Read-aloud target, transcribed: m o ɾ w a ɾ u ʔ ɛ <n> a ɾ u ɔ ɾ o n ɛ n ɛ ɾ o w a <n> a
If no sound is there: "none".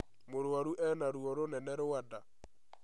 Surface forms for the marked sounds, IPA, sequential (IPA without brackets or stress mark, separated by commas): n, d